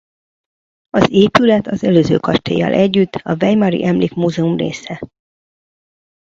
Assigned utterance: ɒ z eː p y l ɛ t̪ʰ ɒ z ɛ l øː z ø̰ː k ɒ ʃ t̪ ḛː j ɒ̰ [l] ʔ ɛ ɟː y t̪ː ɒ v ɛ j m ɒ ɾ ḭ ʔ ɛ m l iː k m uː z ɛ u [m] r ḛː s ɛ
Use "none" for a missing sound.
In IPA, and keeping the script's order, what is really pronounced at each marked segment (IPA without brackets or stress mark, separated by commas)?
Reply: l, m